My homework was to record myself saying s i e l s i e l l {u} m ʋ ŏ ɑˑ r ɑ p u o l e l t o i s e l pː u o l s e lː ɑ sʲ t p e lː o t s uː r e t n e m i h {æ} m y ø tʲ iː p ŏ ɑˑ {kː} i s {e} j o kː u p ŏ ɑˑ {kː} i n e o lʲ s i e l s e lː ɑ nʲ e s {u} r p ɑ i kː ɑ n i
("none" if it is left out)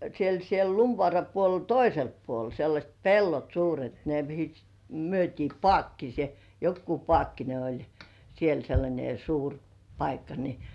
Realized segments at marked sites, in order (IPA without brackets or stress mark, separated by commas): u, i, kː, e, kː, uː